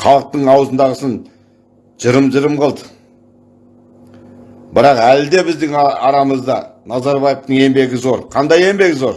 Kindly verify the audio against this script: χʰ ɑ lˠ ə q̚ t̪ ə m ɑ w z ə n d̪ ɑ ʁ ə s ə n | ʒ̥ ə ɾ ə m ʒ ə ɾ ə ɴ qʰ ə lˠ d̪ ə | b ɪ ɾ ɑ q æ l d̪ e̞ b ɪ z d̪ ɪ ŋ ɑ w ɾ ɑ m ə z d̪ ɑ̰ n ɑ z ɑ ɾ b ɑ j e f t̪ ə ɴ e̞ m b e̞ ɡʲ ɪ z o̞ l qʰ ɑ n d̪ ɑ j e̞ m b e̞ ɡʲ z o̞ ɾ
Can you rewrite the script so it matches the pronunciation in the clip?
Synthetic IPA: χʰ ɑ lˠ ə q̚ t̪ ə ɴ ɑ w z ə n d̪ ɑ ʁ ə s ə n | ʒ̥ ə ɾ ə m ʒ ə ɾ ə m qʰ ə lˠ d̪ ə | b ɪ ɾ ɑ q æ l d̪ e̞ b ɪ z d̪ ɪ ŋ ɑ ɾ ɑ m ə z d̪ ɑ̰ n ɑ z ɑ ɾ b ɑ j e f t̪ ə ɴ e̞ m b e̞ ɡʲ ɪ z o̞ ɾ qʰ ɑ n d̪ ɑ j e̞ m b e̞ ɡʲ z o̞ ɾ